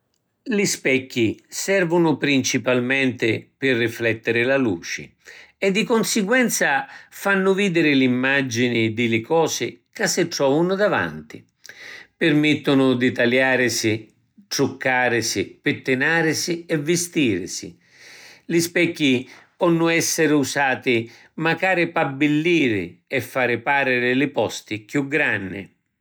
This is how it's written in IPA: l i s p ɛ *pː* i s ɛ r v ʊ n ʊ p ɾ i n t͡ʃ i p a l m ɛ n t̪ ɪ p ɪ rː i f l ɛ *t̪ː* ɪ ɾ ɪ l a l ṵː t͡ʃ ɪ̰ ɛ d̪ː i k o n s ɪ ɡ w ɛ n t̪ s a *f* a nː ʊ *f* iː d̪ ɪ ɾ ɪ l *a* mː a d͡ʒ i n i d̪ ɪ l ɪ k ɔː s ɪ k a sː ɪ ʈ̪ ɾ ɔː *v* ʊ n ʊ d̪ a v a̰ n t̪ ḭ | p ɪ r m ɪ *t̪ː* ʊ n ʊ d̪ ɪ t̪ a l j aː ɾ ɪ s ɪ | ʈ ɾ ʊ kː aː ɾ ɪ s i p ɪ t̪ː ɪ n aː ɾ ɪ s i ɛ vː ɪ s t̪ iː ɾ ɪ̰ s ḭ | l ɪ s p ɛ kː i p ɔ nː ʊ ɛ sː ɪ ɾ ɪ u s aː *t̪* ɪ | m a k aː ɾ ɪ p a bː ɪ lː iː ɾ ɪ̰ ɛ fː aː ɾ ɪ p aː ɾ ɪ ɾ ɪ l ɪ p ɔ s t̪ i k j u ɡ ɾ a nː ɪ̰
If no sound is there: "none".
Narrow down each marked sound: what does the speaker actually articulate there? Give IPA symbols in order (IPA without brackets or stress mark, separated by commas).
kː, t̪ː, f, v, i, v, t̪ː, t̪